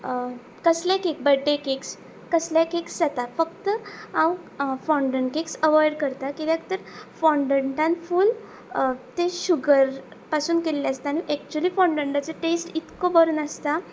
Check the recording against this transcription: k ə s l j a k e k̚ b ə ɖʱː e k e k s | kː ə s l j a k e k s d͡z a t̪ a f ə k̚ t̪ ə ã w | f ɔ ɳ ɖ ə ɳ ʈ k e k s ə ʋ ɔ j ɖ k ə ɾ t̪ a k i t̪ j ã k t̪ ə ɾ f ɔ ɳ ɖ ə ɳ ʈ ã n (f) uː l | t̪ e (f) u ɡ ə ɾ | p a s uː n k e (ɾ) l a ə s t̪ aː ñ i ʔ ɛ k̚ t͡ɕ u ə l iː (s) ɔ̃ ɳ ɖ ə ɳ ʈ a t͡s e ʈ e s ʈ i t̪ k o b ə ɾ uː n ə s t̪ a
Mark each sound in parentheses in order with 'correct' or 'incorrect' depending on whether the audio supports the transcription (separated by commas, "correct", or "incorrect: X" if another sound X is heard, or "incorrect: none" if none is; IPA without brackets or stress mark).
correct, incorrect: ɕ, incorrect: l, incorrect: f